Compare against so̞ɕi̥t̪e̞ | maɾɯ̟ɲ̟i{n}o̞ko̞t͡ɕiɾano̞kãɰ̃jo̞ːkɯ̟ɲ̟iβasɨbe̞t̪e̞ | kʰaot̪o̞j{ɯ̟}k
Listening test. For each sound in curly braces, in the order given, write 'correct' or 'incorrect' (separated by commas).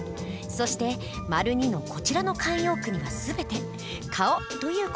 correct, incorrect